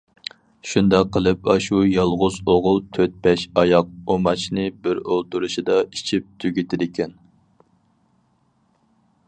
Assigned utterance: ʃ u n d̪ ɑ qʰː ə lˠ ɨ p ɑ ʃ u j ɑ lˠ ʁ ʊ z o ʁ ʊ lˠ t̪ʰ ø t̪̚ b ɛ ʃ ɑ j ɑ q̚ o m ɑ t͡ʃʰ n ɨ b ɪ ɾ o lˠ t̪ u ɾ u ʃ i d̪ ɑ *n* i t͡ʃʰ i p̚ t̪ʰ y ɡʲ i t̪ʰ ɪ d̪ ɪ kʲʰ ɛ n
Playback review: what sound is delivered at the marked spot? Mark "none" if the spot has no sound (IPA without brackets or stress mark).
none